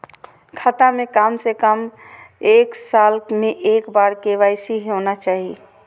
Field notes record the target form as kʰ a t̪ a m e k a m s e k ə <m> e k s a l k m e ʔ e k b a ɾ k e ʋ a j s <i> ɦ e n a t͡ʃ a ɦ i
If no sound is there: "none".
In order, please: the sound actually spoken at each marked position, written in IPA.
m, i

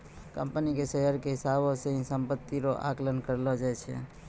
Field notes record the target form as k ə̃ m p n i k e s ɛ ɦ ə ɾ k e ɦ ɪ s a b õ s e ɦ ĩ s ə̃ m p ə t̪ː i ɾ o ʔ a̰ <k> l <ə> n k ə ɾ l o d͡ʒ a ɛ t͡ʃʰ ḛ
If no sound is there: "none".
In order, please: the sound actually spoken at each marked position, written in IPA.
k, ə

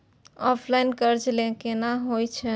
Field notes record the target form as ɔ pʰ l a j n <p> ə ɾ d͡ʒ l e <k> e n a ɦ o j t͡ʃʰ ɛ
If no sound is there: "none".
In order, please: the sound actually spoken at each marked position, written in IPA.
k, k

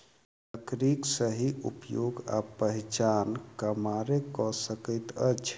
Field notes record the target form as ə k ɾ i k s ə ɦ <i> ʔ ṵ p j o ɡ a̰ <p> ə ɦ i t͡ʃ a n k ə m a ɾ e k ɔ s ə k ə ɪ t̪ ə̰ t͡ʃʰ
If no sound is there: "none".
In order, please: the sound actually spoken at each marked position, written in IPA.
i, p

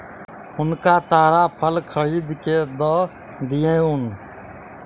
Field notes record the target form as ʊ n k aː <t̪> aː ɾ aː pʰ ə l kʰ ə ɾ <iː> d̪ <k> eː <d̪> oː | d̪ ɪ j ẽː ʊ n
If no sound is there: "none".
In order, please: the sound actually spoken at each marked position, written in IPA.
t̪, iː, k, d̪

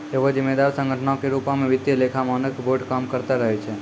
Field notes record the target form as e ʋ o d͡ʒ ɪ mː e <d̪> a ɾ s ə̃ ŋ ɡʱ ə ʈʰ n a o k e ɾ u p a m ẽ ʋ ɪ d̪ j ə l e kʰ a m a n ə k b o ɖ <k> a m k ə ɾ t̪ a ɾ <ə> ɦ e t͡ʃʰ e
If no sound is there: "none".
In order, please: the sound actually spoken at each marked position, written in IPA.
d̪, k, ə

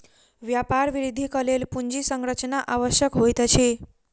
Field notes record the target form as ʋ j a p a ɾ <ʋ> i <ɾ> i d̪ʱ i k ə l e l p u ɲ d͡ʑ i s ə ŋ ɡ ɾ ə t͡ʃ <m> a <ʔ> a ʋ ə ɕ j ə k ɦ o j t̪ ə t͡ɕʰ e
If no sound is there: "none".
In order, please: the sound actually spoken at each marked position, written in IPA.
ʋ, ɾ, n, ʔ

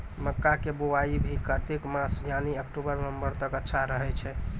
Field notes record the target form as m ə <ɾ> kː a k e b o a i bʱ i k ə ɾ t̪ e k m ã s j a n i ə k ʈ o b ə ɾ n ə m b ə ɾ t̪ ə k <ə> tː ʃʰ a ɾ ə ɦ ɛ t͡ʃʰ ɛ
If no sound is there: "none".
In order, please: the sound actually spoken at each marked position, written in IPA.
none, ə

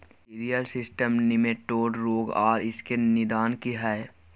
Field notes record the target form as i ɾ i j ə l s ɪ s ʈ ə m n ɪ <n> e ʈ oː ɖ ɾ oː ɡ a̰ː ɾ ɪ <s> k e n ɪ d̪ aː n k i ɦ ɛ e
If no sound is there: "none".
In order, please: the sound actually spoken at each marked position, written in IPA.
m, s

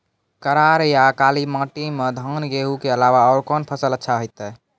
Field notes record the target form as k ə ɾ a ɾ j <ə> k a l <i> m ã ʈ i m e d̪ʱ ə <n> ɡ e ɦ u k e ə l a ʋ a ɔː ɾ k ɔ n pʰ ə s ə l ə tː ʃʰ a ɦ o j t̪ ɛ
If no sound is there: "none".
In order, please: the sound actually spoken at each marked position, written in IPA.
a, i, n

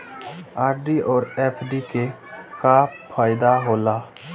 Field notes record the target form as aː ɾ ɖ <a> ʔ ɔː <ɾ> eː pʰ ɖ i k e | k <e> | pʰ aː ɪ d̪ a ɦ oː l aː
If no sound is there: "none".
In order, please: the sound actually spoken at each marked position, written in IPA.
i, ɾ, a

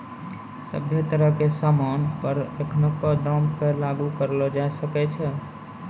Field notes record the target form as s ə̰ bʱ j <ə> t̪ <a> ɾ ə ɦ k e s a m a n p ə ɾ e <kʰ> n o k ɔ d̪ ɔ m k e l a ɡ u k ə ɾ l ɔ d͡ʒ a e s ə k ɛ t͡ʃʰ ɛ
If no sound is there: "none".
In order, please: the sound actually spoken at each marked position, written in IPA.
ə, ə, kʰ

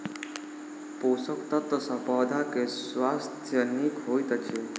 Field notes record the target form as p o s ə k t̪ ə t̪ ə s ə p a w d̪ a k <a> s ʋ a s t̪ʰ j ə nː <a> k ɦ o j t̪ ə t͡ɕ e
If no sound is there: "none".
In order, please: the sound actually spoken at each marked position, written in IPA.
e, i

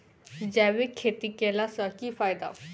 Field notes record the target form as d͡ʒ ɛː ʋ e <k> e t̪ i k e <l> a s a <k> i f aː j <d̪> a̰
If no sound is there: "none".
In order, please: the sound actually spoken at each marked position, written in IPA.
kʰ, l, k, d̪

